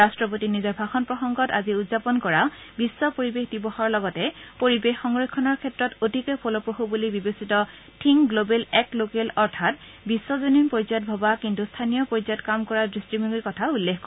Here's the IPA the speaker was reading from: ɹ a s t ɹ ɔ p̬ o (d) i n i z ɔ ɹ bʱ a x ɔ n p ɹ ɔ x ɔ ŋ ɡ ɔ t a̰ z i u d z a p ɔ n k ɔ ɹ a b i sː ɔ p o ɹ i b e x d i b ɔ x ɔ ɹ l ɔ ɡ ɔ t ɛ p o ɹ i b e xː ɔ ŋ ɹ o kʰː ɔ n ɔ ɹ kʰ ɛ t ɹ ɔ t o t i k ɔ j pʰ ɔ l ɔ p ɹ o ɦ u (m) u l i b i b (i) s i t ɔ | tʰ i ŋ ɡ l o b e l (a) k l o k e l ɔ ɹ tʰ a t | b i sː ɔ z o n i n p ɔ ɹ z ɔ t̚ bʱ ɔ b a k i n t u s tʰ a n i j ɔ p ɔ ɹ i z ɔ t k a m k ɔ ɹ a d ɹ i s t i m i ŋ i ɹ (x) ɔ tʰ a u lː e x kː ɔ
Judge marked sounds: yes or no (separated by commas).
no, no, no, no, no